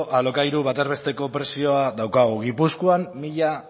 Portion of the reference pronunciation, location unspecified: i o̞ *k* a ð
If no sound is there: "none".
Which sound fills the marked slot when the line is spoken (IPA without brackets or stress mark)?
none